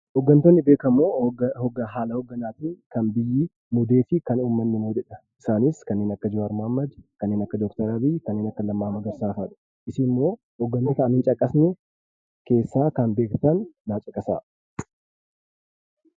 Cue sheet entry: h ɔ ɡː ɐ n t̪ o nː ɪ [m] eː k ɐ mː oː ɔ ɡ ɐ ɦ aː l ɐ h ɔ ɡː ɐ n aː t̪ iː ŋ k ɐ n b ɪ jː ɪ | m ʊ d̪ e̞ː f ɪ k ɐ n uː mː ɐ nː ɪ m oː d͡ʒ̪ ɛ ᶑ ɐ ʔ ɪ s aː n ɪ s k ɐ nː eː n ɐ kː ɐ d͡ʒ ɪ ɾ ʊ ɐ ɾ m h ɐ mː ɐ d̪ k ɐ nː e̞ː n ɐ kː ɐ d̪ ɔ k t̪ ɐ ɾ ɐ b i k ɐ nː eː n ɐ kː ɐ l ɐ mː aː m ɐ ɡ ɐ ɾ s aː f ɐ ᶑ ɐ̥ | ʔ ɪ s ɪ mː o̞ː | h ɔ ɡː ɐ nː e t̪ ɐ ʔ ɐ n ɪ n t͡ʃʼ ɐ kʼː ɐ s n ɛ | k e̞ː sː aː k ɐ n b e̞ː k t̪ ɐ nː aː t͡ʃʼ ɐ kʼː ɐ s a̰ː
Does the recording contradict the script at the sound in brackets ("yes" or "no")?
yes